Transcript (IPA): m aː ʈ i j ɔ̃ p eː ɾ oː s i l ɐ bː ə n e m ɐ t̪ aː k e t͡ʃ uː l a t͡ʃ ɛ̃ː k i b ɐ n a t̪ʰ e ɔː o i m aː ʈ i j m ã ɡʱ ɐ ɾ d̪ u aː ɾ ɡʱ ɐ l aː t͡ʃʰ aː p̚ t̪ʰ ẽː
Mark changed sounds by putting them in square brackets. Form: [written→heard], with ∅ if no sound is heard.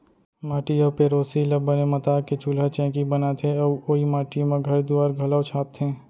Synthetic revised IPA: m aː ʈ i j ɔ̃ p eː ɾ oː s i l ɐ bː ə n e m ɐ t̪ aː k e t͡ʃ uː l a t͡ʃ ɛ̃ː k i b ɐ n a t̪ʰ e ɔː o i m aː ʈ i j m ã ɡʱ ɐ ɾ d̪ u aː ɾ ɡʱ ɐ l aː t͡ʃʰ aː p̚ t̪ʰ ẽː